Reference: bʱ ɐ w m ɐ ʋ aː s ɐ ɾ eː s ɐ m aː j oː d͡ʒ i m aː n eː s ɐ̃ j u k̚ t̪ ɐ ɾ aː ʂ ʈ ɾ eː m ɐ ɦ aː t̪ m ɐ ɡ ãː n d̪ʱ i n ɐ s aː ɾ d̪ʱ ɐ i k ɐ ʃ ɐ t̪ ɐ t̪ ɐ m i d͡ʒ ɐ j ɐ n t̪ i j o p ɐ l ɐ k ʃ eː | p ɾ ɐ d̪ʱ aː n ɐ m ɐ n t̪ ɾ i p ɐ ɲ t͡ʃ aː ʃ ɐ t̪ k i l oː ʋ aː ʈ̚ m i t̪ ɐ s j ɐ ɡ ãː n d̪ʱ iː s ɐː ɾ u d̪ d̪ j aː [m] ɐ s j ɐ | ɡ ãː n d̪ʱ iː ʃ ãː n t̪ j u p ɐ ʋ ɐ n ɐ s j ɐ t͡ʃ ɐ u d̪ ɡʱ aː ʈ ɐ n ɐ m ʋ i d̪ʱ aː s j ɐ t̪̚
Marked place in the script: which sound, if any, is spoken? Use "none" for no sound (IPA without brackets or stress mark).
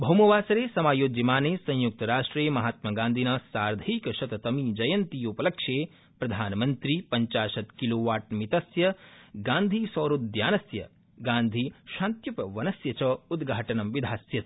n